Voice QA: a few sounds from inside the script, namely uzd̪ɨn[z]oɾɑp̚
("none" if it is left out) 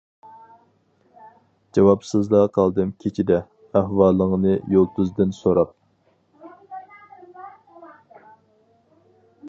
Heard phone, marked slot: s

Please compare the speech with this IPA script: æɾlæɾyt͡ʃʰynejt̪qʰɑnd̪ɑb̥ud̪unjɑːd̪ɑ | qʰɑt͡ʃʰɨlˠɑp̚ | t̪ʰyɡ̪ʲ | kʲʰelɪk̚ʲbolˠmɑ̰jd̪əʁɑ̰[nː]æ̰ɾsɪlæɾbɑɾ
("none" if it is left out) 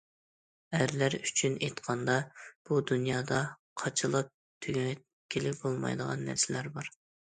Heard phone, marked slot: nː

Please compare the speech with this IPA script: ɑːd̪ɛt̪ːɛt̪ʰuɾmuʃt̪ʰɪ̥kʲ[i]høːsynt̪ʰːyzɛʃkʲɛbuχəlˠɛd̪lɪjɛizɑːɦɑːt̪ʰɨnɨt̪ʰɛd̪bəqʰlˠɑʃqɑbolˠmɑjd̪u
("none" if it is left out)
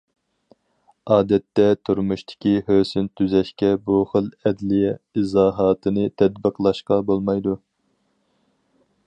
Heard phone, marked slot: i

